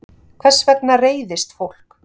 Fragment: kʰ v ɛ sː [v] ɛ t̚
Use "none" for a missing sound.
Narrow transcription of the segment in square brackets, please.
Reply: v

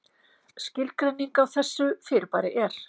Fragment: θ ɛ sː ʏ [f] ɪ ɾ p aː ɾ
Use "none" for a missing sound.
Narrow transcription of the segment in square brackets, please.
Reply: f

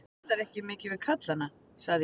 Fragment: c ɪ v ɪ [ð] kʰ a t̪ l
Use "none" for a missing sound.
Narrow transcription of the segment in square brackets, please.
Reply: ð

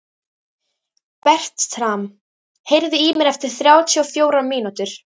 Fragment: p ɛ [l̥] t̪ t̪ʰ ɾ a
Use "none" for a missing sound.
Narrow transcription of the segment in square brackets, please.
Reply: r̥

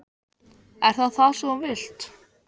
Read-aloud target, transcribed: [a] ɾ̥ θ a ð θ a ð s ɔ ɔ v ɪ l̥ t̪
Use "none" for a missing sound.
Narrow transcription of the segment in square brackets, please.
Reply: ɛ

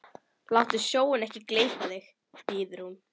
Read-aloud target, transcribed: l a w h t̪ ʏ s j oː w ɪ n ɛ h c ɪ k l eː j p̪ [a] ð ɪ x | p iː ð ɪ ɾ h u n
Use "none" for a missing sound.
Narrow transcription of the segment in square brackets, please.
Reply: a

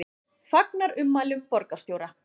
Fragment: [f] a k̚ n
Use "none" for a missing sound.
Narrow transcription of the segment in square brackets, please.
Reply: f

